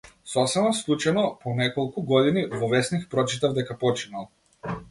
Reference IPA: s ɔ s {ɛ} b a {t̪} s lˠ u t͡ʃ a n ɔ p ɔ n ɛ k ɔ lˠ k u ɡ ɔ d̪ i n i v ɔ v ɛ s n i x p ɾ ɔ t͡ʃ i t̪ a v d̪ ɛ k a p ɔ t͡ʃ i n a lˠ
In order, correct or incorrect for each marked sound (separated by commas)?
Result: correct, incorrect